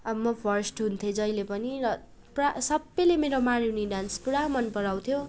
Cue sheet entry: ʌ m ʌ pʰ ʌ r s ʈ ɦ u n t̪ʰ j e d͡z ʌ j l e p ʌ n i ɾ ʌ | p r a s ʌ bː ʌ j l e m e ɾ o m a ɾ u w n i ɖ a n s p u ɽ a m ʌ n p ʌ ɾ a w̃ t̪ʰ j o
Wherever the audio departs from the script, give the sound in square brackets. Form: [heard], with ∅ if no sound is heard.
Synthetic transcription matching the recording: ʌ m ʌ pʰ ʌ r s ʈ ɦ u n t̪ʰ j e d͡z ʌ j l e p ʌ n i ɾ ʌ | p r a s ʌ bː ʌ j l e m e ɾ o m a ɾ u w n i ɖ a n s p u ɽ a m ʌ n p ʌ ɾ a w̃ t̪ʰ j o